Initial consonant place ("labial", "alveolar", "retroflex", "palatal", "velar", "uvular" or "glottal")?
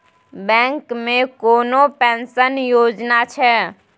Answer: labial